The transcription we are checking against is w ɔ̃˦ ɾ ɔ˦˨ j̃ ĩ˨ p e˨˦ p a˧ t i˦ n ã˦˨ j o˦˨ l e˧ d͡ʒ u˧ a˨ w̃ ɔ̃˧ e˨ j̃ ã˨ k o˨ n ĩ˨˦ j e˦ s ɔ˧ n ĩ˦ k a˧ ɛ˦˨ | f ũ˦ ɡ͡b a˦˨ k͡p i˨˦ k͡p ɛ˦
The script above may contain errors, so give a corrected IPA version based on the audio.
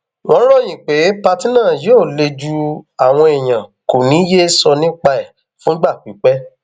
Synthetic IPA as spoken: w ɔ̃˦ ɾ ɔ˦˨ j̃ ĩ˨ k͡p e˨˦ p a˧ t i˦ n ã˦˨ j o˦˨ l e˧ d͡ʒ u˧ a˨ w̃ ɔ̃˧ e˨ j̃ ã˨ k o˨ n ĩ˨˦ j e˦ s ɔ˧ n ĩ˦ k͡p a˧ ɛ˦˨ | f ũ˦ ɡ͡b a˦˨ k͡p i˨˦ k͡p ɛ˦